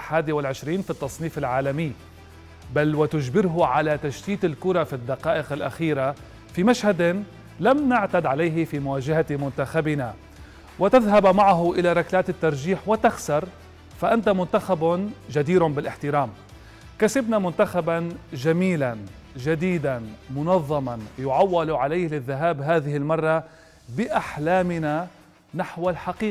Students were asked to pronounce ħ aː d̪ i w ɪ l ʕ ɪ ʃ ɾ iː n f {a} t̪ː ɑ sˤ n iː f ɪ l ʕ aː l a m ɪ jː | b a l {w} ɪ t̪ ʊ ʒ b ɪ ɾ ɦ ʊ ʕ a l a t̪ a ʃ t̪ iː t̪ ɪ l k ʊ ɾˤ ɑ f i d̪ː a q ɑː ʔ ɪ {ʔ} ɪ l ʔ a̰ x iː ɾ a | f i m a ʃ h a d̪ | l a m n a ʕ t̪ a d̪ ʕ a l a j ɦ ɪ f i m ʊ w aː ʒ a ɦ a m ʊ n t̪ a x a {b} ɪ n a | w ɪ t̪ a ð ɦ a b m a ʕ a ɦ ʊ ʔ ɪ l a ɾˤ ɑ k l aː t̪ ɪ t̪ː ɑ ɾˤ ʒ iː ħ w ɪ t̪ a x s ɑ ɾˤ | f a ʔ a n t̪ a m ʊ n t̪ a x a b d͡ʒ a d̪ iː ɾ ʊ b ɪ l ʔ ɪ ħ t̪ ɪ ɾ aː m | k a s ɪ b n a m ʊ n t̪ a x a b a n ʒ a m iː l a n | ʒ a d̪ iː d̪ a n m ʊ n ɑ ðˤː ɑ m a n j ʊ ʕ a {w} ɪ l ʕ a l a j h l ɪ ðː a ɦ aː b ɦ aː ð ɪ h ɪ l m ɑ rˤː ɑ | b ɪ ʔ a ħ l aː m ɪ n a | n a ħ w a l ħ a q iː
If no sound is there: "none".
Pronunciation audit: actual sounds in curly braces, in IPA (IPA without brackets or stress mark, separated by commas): i, w, q, b, wː